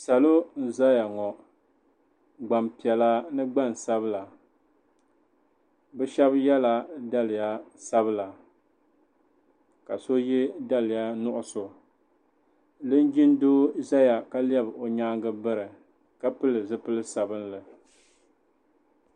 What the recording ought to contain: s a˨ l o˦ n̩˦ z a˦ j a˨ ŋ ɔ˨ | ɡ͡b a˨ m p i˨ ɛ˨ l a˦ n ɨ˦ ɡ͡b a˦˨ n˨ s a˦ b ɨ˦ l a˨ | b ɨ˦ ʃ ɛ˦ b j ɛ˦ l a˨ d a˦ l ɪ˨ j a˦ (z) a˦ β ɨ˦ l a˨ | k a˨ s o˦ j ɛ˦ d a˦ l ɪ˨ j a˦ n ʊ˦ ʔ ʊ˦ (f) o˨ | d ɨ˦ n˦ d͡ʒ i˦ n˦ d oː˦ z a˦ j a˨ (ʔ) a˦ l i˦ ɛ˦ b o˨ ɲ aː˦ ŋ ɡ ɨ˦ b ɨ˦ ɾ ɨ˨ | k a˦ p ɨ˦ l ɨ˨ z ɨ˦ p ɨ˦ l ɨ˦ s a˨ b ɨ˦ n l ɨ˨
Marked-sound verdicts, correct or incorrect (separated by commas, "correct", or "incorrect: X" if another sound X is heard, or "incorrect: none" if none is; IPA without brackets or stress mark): incorrect: s, incorrect: s, incorrect: k